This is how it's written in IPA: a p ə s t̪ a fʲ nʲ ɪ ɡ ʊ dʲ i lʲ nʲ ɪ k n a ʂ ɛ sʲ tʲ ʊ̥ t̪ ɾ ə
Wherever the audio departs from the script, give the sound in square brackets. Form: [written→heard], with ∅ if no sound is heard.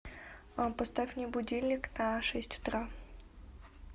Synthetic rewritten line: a p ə s t̪ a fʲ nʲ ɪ [ɡ→b] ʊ dʲ i lʲ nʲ ɪ k n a ʂ ɛ sʲ tʲ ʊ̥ t̪ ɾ [ə→a]